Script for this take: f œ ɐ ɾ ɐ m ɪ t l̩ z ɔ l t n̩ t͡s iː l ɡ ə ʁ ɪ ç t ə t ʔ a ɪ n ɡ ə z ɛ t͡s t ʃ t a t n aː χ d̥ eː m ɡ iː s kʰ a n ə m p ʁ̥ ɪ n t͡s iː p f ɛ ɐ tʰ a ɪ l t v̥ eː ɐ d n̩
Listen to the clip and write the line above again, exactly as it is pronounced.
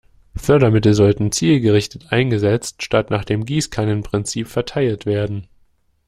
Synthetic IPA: f œ ɐ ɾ ɐ m ɪ t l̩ z ɔ l t n̩ t͡s iː l ɡ ə ʁ ɪ ç t ə t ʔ a ɪ n ɡ ə z ɛ t͡s t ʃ t a t n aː χ d̥ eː m ɡ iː s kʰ a n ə n p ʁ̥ ɪ n t͡s iː p f ɛ ɐ tʰ a ɪ l t v̥ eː ɐ d n̩